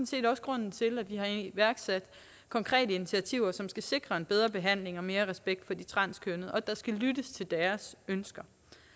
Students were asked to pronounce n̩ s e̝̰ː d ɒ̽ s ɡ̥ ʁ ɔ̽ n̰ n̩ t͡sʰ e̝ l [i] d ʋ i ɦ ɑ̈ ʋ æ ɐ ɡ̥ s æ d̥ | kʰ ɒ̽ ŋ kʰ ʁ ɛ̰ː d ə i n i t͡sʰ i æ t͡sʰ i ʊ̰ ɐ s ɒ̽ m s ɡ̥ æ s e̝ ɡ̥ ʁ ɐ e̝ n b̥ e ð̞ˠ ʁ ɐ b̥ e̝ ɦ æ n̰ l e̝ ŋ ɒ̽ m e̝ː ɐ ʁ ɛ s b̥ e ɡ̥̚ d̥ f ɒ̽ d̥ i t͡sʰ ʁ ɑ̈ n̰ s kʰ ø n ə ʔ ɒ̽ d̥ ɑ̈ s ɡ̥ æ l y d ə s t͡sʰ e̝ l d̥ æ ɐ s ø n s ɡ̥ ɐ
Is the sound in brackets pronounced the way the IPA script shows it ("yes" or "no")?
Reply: no